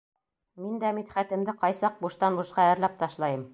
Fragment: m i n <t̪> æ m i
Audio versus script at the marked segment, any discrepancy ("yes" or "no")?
yes